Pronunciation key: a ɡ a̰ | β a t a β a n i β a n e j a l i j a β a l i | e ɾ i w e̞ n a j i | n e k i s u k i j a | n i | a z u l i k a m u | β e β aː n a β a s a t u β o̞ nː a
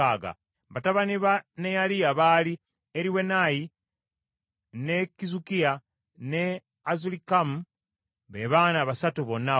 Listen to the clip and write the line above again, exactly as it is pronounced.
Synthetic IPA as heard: a ɡ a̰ | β a t a β a n i β a n e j a l i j a β a l i | e ɾ i w e̞ n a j i | n e k i z u k i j a | n e | a z u l i k a m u | β e β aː n a β a s a t u β o̞ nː a